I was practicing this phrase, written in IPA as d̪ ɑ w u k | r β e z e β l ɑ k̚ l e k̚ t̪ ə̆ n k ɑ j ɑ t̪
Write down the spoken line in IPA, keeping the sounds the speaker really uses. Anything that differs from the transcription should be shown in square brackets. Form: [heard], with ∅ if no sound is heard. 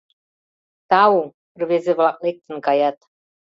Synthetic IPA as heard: [t̪] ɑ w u [∅] | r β e z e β l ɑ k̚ l e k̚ t̪ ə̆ n k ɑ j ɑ t̪